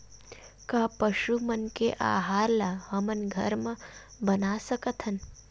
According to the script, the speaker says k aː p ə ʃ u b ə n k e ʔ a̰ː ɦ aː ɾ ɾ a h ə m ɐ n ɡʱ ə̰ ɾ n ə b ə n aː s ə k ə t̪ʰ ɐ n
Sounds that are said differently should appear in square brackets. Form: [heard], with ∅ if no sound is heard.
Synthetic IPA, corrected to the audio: k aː p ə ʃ u [m] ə n k e ʔ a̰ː ɦ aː ɾ [l] a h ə m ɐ n ɡʱ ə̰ ɾ [m] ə b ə n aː s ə k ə t̪ʰ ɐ n